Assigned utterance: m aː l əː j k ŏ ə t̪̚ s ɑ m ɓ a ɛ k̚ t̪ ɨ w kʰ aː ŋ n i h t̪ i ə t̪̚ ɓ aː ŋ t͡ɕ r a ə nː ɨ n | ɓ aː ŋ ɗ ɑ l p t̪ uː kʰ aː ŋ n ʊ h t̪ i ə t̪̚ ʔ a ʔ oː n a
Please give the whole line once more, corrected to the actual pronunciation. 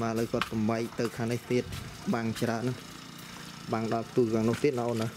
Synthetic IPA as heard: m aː l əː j k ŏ ə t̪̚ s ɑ m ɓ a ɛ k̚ t̪ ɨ w kʰ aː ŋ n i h t̪ i ə t̪̚ ɓ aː ŋ t͡ɕ r a ə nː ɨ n | ɓ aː ŋ ɗ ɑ l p t̪ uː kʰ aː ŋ n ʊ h t̪ i ə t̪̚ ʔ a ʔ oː n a